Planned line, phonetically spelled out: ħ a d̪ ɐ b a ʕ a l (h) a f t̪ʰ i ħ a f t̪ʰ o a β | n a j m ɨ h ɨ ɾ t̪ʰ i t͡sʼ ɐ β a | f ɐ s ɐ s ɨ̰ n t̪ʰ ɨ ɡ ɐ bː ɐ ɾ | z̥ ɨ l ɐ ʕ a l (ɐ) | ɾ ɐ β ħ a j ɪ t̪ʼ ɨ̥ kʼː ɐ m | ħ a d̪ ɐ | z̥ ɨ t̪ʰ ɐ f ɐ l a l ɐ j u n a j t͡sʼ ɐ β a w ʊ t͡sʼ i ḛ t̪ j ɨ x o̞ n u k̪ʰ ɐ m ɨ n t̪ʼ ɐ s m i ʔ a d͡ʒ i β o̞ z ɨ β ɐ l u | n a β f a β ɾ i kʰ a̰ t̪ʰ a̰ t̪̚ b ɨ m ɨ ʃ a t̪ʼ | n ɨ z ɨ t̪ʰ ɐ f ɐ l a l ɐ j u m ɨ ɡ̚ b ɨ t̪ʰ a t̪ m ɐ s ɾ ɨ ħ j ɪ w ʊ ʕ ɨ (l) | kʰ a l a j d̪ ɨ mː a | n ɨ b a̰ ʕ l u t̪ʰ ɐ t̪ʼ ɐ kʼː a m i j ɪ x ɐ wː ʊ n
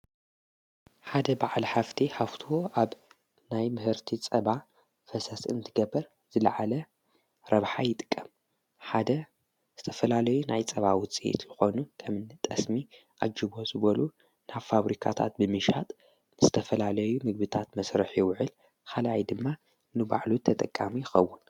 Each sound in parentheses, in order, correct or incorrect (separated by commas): incorrect, correct, correct